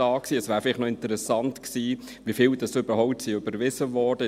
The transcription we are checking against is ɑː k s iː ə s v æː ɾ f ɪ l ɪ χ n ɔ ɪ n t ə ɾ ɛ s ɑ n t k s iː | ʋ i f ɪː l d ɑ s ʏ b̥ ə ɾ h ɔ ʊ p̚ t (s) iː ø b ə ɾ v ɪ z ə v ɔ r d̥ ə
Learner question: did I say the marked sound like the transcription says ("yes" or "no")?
yes